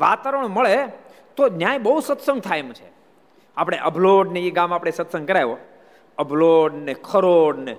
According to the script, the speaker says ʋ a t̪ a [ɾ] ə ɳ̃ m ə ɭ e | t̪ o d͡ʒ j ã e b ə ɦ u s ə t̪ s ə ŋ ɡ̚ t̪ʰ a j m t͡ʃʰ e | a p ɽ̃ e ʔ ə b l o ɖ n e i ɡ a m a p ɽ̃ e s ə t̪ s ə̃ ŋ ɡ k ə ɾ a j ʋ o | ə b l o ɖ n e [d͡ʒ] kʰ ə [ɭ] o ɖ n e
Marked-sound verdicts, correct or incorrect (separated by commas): correct, incorrect, incorrect